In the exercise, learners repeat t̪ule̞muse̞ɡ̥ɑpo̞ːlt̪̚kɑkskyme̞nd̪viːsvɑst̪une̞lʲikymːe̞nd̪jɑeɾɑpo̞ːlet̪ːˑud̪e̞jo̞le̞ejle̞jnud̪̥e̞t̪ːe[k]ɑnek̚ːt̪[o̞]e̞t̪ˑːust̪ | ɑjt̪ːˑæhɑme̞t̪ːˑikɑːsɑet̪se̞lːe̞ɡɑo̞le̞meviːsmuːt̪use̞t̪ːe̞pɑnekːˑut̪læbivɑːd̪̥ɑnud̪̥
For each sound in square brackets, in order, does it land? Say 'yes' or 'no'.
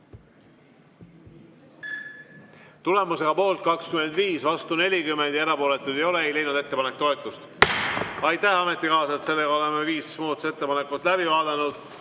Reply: no, yes

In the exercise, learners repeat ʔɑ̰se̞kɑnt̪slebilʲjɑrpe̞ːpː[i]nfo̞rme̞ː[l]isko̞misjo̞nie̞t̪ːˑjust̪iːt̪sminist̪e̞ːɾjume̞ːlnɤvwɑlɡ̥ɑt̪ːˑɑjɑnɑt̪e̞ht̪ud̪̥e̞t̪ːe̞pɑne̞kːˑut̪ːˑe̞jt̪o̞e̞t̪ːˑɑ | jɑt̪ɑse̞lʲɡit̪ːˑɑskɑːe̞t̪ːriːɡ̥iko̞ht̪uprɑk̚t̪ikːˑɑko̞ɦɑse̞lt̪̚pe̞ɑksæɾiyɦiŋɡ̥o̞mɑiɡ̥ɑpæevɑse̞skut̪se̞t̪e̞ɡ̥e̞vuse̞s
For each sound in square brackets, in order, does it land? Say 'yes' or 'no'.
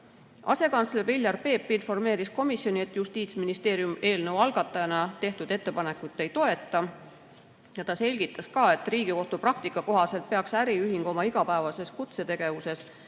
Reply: yes, no

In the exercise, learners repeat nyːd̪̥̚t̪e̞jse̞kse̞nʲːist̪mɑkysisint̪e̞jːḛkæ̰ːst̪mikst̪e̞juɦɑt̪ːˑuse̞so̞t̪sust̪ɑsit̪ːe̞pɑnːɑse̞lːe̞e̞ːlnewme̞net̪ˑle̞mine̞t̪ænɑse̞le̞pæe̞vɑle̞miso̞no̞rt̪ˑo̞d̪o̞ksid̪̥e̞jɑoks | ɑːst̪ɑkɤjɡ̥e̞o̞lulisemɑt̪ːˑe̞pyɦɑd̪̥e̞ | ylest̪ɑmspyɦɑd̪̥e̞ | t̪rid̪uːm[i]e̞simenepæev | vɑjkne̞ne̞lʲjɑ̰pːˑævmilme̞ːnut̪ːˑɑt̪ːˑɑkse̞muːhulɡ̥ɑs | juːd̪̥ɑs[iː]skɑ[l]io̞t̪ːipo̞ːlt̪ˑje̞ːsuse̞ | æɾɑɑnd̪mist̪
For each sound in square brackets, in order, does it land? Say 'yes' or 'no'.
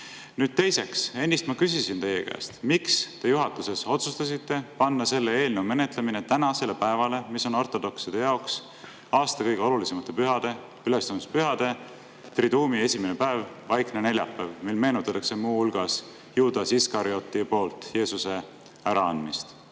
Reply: yes, no, no

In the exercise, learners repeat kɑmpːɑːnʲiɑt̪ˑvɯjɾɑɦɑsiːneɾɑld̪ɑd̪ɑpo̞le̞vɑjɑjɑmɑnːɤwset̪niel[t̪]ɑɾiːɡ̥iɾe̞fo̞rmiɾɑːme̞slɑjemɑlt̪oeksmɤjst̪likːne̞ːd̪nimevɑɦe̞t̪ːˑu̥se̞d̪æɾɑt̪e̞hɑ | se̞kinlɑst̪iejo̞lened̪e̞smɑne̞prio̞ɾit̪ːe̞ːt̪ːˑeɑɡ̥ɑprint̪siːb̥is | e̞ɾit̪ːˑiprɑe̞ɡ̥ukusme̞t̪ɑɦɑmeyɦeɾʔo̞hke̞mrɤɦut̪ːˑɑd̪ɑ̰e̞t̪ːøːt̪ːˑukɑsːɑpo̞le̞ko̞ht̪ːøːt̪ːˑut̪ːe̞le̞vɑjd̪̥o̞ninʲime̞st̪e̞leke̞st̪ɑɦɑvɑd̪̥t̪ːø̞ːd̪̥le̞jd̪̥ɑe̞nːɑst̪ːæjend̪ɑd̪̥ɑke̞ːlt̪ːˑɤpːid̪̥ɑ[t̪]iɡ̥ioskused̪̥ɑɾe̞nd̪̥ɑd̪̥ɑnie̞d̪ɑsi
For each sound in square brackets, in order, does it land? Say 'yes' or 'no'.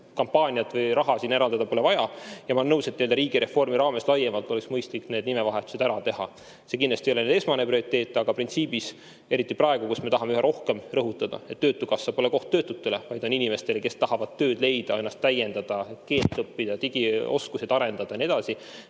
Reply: no, yes

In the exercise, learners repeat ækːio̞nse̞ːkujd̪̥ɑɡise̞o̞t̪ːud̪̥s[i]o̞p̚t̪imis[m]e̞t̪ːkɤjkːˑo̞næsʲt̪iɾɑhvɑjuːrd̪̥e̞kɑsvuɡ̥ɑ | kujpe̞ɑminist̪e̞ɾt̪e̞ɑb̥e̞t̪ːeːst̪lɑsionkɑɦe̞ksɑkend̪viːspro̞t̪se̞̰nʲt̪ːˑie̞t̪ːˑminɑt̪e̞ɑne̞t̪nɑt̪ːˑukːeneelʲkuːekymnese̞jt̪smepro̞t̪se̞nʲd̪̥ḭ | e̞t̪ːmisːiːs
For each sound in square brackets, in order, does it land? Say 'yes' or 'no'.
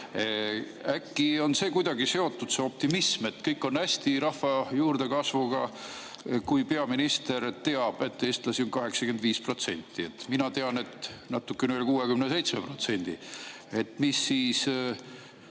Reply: no, yes

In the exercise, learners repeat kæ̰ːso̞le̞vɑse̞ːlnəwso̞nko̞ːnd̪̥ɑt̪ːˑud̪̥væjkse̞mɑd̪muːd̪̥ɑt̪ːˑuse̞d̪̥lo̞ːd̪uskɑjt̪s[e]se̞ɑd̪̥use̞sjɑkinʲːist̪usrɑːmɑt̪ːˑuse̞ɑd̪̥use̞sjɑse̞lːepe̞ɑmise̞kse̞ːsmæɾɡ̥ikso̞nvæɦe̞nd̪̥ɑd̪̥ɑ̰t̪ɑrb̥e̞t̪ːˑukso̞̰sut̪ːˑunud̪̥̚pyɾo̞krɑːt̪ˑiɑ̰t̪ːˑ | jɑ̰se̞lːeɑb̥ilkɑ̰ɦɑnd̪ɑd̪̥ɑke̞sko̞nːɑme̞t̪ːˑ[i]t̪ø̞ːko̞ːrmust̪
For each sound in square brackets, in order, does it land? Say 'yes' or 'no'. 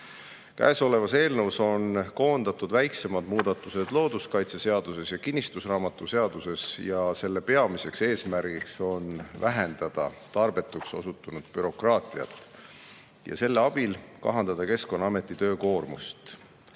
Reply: yes, yes

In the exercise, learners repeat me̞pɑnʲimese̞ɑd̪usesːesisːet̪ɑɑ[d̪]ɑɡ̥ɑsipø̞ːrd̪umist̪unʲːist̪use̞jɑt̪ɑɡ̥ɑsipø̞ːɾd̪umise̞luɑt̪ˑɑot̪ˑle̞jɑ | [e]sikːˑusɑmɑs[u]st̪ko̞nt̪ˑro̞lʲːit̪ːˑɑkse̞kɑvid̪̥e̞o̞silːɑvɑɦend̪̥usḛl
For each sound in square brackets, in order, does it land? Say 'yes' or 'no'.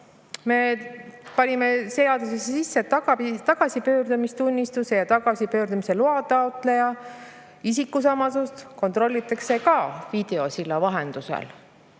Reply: no, no, yes

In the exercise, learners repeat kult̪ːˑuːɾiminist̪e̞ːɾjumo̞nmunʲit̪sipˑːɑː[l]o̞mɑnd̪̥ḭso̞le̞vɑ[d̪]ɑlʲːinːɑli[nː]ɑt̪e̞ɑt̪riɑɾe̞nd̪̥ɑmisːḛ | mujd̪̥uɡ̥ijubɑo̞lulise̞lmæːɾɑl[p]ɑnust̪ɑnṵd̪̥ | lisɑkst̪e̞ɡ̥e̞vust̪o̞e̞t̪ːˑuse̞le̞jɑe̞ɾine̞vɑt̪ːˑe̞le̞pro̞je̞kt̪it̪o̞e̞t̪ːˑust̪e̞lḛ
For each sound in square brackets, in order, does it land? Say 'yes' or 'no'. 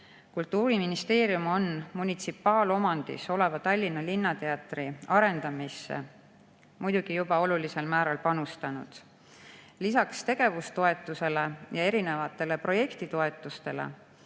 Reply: yes, no, yes, yes

